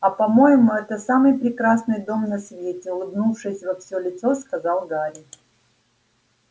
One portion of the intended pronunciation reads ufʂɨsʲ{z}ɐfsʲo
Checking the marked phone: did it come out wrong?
yes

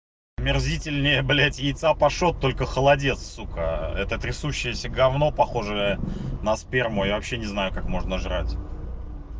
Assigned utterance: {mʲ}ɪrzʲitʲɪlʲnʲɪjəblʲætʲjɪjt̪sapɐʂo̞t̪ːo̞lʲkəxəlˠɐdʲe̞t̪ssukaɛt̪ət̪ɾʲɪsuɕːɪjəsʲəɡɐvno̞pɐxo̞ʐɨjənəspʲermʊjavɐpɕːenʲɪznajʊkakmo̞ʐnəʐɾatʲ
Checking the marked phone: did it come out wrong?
no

